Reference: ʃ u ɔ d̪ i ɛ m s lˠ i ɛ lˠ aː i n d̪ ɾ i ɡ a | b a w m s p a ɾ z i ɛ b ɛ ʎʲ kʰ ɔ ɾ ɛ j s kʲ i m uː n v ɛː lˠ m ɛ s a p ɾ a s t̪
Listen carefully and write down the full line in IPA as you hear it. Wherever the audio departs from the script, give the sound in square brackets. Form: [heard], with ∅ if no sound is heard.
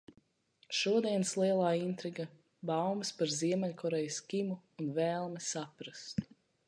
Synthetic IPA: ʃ u ɔ d̪ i ɛ [n] s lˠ i ɛ lˠ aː i n [t̪] ɾ i ɡ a | b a w m s p a ɾ z i ɛ [m] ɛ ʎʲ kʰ ɔ ɾ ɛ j s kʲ i m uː n v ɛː lˠ m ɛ s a p ɾ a s t̪